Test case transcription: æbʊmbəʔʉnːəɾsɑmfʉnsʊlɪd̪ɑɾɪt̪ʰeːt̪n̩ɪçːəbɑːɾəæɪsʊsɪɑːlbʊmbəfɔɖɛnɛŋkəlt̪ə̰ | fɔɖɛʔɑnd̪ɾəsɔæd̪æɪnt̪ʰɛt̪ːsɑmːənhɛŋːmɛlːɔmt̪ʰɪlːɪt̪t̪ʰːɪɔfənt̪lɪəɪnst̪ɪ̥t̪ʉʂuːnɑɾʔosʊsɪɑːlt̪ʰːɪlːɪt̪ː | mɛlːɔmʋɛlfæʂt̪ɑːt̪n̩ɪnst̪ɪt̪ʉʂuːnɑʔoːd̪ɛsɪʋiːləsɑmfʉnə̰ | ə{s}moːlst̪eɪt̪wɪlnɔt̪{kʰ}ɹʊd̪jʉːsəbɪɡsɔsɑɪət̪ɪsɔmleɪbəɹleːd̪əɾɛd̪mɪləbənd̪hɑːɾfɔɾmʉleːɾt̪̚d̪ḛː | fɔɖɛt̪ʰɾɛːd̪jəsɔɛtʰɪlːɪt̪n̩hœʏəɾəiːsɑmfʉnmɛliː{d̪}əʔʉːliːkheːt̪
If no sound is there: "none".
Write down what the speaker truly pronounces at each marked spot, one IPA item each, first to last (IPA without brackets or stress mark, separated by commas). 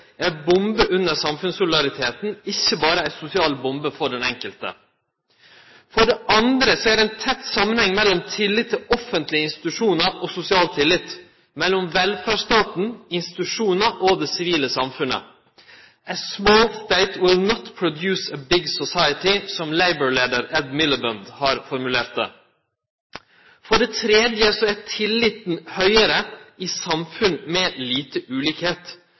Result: s, pʰ, t̪